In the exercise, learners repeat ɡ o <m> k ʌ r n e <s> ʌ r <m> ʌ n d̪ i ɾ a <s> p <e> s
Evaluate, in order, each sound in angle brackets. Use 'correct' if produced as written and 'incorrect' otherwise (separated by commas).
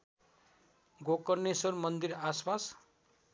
incorrect, correct, correct, correct, incorrect